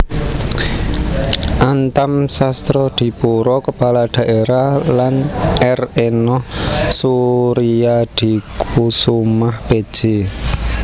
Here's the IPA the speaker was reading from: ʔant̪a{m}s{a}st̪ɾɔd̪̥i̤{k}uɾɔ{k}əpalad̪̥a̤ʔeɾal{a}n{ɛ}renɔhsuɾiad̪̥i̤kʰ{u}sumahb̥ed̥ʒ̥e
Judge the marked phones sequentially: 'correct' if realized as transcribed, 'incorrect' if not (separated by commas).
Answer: correct, correct, incorrect, correct, correct, correct, correct